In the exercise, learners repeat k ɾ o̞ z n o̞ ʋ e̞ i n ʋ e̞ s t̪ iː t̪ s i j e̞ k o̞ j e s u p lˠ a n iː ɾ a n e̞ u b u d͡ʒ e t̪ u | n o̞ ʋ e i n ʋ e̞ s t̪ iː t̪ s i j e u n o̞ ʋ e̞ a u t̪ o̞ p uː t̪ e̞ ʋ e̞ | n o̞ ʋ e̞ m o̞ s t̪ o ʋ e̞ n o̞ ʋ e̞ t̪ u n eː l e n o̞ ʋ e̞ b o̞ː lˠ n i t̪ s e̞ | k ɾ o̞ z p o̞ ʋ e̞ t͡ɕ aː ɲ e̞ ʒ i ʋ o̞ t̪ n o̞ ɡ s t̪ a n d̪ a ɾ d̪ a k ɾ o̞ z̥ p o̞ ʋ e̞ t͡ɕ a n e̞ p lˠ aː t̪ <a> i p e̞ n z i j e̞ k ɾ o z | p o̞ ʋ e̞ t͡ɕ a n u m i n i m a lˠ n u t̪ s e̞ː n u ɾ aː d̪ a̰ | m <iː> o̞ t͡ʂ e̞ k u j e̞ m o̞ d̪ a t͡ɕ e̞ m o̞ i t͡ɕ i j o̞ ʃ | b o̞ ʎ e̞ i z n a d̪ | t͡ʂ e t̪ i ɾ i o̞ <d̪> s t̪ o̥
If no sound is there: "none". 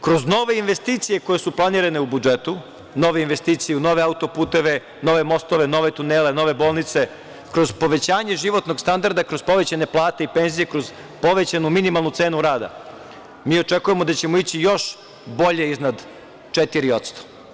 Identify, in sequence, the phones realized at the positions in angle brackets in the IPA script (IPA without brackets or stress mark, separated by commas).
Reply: e, iː, t̪